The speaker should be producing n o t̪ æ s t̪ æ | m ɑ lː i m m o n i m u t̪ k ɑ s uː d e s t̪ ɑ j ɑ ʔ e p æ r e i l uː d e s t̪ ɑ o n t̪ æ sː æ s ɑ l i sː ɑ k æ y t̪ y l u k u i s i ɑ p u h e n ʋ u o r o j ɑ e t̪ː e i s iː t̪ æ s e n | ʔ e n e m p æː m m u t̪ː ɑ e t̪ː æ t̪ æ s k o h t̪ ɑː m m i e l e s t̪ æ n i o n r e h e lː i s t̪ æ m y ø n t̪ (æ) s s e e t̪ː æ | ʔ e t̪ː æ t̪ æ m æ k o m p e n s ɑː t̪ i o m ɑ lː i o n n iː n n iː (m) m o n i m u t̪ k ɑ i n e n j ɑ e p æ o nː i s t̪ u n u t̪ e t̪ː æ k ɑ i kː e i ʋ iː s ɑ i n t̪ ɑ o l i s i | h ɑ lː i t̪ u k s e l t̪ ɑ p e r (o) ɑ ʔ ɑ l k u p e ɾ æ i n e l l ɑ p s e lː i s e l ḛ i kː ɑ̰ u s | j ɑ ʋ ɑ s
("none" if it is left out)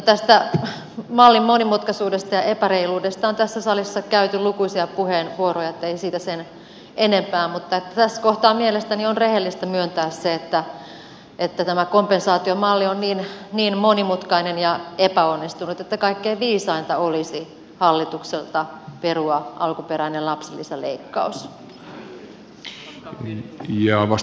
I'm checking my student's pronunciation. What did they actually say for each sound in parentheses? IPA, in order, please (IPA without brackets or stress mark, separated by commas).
æː, n, u